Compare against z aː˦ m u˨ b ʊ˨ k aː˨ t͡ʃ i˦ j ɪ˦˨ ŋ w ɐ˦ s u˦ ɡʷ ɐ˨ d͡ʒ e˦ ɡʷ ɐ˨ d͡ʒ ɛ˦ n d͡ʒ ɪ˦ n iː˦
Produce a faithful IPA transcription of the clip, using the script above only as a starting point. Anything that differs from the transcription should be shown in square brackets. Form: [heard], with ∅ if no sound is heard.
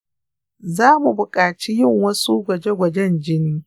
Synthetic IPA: z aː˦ m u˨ b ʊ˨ [kʼ] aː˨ t͡ʃ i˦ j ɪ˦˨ ŋ w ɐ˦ s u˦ ɡʷ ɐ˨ d͡ʒ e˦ ɡʷ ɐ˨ d͡ʒ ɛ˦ n d͡ʒ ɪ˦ n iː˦